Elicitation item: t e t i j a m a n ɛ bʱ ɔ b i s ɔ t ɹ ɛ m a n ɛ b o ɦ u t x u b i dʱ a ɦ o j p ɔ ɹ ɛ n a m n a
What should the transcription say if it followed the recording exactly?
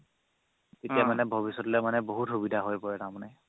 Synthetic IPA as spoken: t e t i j a m a n ɛ bʱ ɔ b i s ɔ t l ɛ m a n ɛ b o ɦ u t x u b i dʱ a ɦ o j p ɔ ɹ ɛ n a m n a